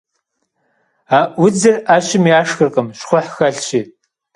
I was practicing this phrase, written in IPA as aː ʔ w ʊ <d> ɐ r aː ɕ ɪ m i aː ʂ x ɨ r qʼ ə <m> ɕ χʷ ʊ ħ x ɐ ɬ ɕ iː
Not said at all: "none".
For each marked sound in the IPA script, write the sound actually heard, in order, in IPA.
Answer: d͡z, m

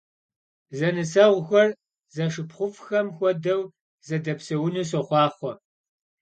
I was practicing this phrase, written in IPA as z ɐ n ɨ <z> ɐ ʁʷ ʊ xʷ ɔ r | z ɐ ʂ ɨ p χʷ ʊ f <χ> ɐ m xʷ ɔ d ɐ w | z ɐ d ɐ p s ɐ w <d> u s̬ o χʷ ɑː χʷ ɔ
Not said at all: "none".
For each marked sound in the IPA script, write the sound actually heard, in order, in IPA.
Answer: s, x, n

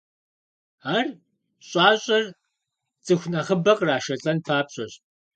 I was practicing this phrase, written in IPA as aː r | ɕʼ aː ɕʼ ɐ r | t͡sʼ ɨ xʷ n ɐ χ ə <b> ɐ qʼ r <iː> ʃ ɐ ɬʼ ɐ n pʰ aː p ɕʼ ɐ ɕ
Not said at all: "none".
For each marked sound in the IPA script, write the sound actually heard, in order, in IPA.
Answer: b, aː

